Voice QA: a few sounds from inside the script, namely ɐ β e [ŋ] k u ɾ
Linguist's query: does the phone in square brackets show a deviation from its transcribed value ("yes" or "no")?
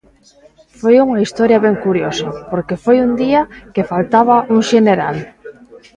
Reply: no